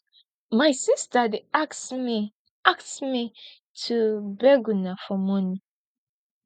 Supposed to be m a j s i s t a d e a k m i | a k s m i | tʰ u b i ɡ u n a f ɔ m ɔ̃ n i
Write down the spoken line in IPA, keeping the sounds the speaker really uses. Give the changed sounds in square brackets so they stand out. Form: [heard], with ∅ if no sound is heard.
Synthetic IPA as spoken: m a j s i s t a d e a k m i | a k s m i | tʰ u b [ɛ] ɡ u n a f ɔ m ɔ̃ n i